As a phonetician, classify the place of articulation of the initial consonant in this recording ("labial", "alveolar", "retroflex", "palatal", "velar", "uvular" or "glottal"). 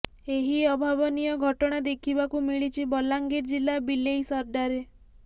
glottal